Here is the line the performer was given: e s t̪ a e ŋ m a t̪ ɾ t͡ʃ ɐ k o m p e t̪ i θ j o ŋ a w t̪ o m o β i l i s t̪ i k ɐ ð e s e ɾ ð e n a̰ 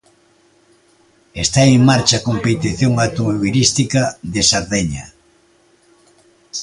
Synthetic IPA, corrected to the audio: e s t̪ a e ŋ m a ɾ t͡ʃ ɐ k o m p e t̪ i θ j o ŋ a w t̪ o m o β i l i s t̪ i k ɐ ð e s a ɾ ð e ɲ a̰